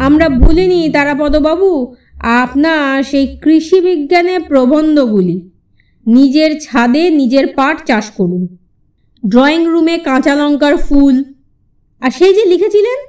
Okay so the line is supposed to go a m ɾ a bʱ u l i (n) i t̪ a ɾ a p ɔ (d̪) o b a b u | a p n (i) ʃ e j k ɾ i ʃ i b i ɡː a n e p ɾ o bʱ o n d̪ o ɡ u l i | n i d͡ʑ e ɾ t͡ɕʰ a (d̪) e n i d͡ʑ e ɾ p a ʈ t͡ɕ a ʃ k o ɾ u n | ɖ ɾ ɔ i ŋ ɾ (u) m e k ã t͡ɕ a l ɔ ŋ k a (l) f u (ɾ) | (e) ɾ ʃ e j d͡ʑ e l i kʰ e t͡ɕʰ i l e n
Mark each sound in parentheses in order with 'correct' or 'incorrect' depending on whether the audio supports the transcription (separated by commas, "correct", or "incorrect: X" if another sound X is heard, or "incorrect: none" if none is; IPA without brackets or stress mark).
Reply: correct, correct, incorrect: a, correct, correct, incorrect: ɾ, incorrect: l, incorrect: a